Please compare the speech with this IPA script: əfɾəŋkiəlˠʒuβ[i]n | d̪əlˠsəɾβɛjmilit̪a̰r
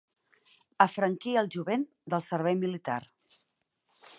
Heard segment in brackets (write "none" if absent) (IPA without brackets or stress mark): e